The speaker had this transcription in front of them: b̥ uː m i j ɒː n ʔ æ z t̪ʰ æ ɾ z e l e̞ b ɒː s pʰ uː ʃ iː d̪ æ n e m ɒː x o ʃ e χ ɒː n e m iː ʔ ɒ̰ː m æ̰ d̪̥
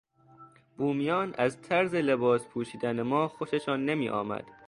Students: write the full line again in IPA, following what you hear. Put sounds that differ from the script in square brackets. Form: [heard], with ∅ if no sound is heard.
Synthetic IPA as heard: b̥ uː m i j ɒː n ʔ æ z t̪ʰ æ ɾ z e l e̞ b ɒː s pʰ uː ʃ iː d̪ æ n e m ɒː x o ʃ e [ʃ] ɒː [nː] e m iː ʔ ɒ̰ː m æ̰ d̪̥